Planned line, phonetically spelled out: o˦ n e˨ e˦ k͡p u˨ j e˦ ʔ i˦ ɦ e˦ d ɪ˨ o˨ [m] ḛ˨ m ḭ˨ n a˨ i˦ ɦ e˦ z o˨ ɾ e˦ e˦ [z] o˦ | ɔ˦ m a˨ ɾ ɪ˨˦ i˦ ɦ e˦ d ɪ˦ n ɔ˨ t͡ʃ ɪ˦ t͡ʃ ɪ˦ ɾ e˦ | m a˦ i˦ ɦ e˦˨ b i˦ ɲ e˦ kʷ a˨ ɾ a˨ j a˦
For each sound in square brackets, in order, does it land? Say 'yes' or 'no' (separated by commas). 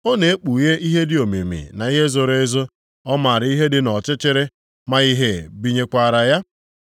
yes, yes